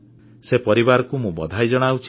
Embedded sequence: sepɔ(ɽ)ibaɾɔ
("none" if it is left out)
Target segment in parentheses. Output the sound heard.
ɾ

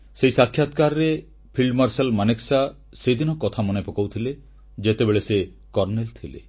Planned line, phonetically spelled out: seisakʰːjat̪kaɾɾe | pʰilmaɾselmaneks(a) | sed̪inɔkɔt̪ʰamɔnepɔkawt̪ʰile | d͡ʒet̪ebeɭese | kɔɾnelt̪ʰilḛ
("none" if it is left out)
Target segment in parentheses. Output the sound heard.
a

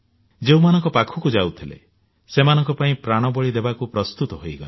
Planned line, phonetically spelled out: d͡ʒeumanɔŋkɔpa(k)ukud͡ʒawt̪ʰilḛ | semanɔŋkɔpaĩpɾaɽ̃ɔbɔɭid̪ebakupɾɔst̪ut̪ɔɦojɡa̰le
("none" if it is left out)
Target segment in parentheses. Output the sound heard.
kʰ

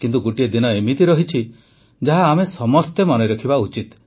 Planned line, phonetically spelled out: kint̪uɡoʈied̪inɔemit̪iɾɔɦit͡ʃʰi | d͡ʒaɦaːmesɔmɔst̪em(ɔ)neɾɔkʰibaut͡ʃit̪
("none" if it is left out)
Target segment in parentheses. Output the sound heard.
ɔ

